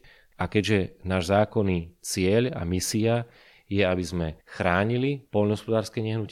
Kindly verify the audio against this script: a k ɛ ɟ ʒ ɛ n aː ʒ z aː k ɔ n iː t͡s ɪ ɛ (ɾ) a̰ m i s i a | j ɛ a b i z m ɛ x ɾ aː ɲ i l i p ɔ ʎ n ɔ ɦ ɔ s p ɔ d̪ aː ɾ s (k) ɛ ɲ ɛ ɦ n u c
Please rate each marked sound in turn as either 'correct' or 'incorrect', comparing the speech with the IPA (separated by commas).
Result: incorrect, correct